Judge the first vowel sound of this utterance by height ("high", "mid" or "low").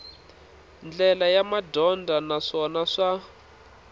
mid